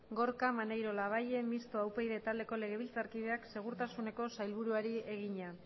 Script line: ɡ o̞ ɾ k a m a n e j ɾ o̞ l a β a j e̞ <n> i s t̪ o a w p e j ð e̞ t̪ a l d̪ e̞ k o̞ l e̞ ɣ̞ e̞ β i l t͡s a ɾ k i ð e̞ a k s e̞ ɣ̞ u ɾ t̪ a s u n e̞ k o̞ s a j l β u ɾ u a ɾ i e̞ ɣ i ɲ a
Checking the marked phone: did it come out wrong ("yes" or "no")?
yes